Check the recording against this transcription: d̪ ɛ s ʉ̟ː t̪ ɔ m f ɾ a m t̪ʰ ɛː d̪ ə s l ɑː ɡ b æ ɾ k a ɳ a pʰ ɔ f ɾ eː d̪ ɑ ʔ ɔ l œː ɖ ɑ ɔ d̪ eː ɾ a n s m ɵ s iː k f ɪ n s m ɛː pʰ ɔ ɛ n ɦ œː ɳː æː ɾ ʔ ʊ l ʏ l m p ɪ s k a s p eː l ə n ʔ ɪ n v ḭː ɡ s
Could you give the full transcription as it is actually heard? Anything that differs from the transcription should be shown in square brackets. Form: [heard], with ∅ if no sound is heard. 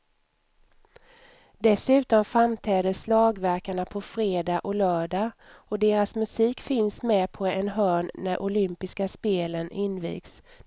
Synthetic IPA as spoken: d̪ ɛ s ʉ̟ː t̪ ɔ m f ɾ a m t̪ʰ ɛː d̪ ə s l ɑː ɡ [v] æ ɾ k a ɳ a pʰ ɔ f ɾ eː d̪ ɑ ʔ ɔ l œː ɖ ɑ ɔ d̪ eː ɾ a [∅] s m ɵ s iː k f ɪ n s m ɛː pʰ ɔ ɛ n ɦ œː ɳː [æ] ɾ ʔ ʊ l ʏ [∅] m p ɪ s k a s p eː l ə n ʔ ɪ n v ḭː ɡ s